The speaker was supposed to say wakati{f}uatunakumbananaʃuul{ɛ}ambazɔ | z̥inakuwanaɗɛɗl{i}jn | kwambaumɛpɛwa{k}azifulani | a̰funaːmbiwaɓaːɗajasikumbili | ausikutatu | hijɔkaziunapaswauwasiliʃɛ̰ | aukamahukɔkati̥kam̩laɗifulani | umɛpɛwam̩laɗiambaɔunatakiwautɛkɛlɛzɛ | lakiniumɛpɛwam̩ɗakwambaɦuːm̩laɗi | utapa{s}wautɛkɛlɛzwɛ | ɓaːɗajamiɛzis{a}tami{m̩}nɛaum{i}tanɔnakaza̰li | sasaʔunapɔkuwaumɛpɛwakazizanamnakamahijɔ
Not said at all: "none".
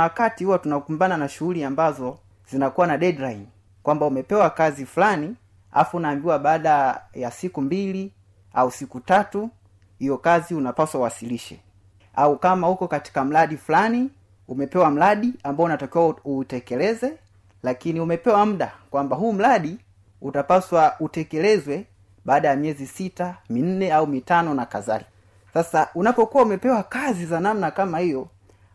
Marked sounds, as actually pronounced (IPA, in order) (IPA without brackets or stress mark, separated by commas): h, i, a, k, s, i, n̩, i